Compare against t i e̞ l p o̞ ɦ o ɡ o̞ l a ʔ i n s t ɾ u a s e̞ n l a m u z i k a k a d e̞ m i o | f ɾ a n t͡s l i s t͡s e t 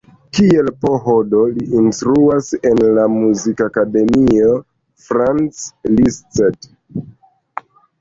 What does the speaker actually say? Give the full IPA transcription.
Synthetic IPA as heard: k i e̞ l p o̞ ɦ o d o̞ l i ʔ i n s t ɾ u a s e̞ n l a m u z i k a k a d e̞ m i o | f ɾ a n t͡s l i s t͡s e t

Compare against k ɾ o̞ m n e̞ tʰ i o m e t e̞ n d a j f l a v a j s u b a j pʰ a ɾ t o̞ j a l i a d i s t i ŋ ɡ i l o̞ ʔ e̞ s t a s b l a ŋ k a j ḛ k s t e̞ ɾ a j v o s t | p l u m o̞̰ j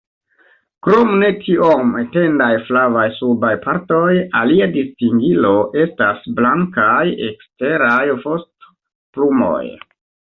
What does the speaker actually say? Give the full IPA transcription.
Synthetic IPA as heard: k ɾ o̞ m n e̞ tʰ i o m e t e̞ n d a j f l a v a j s u b a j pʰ a ɾ t o̞ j a l i a d i s t i ŋ ɡ i l o̞ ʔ e̞ s t a s b l a ŋ k a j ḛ k s t e̞ ɾ a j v o s t | p l u m o̞̰ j

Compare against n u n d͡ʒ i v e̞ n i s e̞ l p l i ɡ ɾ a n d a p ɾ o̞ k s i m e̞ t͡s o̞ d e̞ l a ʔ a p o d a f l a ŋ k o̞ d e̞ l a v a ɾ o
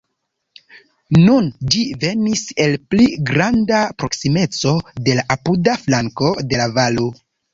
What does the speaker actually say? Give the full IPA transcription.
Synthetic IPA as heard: n u n d͡ʒ i v e̞ n i s e̞ l p l i ɡ ɾ a n d a p ɾ o̞ k s i m e̞ t͡s o̞ d e̞ l a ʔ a p u d a f l a ŋ k o̞ d e̞ l a v a l o

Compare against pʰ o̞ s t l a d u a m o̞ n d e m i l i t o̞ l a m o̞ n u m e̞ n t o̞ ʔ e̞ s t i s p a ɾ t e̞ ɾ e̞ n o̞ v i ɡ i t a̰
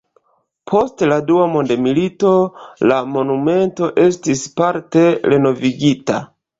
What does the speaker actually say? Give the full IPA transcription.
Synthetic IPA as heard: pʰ o̞ s t l a d u a m o̞ n d e m i l i t o̞ l a m o̞ n u m e̞ n t o̞ ʔ e̞ s t i s p a ɾ t e̞ ɾ e̞ n o̞ v i ɡ i t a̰

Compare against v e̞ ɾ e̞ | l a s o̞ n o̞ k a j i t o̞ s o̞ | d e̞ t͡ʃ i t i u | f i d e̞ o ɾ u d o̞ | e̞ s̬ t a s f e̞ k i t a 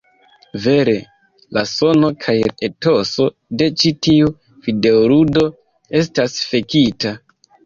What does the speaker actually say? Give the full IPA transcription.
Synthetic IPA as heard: v e̞ ɾ e̞ | l a s o̞ n o̞ kʰ a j e t o̞ s o̞ | d e̞ t͡ʃ i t i u | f i d e̞ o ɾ u d o̞ | e̞ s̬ t a s f e̞ k i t a

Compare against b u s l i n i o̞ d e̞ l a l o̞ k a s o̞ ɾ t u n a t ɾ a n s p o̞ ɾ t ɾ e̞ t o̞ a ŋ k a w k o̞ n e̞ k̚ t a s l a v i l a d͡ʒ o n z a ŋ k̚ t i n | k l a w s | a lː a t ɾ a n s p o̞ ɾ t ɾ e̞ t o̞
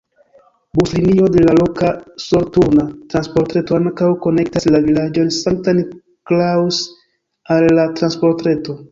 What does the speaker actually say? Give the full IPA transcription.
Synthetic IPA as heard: b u s l i n i o̞ d e̞ l a l o̞ k a s o̞ ɾ t u n a t ɾ a n s p o̞ ɾ t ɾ e̞ t o̞ a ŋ k a w k o̞ n e̞ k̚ t a s l a v i l a d͡ʒ o n s a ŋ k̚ t a n | k l a w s | a lː a t ɾ a n s p o̞ ɾ t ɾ e̞ t o̞

